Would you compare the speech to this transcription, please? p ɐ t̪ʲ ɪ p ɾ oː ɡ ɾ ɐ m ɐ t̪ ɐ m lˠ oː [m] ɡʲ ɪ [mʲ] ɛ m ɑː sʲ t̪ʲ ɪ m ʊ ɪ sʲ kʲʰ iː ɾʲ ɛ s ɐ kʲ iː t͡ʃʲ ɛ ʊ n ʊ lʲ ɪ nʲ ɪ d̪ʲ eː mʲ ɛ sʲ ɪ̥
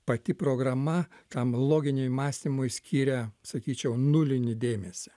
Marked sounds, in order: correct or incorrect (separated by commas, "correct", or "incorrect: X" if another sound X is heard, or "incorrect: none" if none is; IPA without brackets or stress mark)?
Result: incorrect: none, incorrect: nʲ